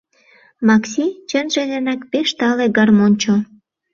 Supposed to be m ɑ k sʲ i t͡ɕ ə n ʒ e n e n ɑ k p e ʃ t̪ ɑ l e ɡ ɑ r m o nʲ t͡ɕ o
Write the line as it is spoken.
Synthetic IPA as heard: m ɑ k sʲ i t͡ɕ ə n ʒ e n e n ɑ k p e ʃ t̪ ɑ l e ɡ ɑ r m o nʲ t͡ɕ o